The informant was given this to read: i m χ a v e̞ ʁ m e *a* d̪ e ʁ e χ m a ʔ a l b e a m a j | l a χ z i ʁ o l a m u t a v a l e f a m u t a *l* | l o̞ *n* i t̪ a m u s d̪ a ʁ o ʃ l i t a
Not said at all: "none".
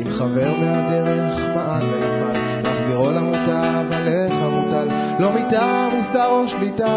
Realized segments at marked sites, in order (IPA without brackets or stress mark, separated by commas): a, l, m